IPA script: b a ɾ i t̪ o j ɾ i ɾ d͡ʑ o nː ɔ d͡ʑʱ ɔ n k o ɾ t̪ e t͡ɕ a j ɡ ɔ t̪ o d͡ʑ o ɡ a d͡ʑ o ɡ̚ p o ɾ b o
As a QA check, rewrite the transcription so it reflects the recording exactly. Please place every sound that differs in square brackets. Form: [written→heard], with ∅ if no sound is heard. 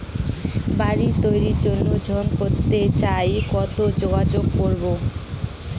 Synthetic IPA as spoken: b a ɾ i t̪ o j ɾ i ɾ d͡ʑ o nː [ɔ→o] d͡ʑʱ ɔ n k o ɾ t̪ e t͡ɕ a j [ɡ→k] ɔ t̪ o d͡ʑ o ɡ a d͡ʑ o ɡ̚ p o ɾ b o